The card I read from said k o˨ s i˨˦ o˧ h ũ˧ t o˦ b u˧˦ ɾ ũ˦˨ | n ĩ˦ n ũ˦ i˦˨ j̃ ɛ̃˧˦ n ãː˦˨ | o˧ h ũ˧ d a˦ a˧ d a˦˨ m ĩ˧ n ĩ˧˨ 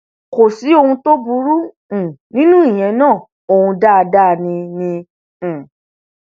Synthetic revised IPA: k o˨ s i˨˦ o˧ h ũ˧ t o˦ b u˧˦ ɾ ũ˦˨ | n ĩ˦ n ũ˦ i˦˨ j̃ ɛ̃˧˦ n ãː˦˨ | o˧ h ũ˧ d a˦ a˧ d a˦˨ n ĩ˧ n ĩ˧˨